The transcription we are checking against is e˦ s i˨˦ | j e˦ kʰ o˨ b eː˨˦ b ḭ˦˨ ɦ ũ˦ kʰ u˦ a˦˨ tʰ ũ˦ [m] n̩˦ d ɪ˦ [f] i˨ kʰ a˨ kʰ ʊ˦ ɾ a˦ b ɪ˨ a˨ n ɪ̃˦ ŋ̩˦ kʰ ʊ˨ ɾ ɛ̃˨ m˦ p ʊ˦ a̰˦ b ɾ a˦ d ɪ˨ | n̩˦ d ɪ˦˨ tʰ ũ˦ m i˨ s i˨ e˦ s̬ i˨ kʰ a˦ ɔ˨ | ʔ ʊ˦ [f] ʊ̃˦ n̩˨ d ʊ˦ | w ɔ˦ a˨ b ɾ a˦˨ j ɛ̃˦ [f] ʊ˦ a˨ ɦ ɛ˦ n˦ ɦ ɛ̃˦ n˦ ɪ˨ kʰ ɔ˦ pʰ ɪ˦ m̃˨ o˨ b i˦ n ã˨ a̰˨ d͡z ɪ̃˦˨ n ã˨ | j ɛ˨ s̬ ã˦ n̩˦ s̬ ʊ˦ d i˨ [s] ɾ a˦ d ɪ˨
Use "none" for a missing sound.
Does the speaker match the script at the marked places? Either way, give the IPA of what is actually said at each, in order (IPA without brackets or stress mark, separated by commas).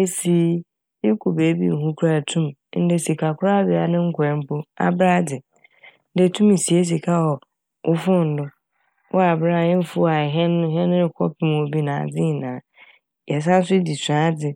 m, s, f, f, s